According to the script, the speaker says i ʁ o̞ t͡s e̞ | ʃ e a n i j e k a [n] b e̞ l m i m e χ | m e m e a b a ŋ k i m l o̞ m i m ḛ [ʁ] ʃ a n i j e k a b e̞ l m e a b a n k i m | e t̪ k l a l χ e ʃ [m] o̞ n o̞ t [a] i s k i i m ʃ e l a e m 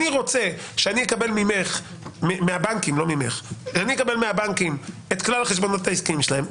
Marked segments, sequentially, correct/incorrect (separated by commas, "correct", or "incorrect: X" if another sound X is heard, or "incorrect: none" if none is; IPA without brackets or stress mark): incorrect: none, incorrect: χ, incorrect: b, correct